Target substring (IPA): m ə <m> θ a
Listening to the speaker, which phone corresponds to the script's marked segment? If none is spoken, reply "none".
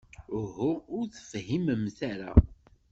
m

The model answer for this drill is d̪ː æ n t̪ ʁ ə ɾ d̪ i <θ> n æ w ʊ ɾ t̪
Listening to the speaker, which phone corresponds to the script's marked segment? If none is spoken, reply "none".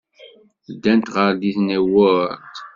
θ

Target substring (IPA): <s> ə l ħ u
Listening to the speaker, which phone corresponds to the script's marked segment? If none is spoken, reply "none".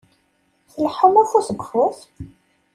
θ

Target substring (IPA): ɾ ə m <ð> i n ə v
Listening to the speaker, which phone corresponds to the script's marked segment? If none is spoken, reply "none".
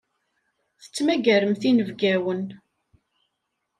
θ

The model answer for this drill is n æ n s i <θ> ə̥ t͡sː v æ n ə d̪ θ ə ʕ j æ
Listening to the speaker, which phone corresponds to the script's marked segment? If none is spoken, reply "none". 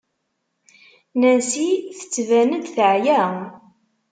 θ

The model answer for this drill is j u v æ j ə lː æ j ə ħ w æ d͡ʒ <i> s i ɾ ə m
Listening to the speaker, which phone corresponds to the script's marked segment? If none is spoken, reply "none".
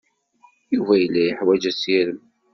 æ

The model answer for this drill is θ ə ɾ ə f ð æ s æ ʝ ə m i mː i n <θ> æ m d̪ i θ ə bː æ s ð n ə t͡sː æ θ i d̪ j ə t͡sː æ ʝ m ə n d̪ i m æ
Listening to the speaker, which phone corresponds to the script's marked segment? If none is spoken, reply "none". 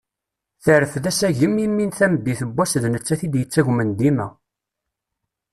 θ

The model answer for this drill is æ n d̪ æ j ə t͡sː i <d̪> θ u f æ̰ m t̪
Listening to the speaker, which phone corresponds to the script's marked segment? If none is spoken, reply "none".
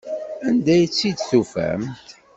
d̪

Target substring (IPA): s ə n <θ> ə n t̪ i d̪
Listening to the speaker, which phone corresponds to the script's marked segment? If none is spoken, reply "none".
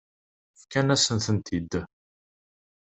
θ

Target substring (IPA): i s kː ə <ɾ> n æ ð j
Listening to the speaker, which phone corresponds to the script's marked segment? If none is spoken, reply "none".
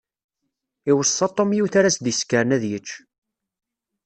ɾ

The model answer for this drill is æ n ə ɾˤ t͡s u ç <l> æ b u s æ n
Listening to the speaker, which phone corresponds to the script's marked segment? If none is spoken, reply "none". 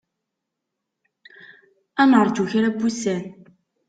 ɾ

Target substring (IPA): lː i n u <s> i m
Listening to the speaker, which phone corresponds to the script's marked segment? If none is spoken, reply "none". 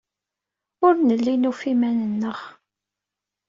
f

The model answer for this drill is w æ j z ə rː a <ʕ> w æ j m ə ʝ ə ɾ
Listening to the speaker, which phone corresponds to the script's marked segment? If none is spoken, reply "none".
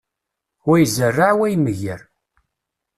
ʕ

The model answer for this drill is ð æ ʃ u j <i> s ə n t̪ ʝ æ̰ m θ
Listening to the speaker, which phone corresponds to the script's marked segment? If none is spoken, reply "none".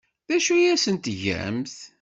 æ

